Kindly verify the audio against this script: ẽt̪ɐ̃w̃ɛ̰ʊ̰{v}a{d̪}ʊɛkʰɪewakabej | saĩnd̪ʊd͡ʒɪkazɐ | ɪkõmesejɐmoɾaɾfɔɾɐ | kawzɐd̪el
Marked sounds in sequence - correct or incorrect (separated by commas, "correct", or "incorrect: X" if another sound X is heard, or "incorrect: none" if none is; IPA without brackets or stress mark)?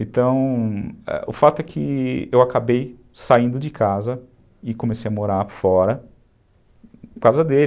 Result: incorrect: f, incorrect: t̪